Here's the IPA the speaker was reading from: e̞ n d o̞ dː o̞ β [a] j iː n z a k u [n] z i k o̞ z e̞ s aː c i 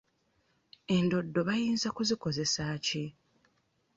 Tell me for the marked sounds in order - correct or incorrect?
correct, incorrect

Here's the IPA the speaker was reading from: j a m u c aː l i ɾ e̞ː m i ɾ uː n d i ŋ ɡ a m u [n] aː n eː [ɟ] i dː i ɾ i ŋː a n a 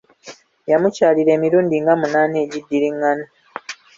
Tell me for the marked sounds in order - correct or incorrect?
correct, correct

